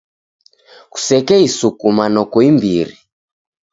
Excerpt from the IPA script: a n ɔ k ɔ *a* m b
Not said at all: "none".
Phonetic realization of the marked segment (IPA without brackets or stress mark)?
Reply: i